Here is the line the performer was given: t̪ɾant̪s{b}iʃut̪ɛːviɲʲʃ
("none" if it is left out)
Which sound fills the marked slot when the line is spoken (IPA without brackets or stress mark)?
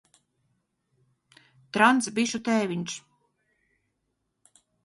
b